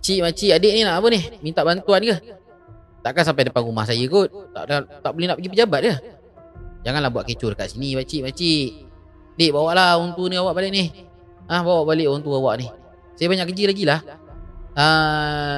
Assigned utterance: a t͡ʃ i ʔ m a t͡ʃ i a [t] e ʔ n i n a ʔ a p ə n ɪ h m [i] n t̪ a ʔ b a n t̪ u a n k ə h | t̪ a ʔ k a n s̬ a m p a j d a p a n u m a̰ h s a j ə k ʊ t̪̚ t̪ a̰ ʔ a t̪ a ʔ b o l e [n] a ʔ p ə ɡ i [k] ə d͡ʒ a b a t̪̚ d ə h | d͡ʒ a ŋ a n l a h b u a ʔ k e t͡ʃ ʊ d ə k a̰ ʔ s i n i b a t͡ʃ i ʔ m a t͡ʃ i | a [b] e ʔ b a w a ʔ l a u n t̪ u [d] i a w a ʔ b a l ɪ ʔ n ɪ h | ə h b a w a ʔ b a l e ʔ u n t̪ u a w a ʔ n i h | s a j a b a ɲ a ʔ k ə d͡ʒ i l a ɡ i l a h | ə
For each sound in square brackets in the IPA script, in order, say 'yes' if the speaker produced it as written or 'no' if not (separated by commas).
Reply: no, yes, yes, no, no, no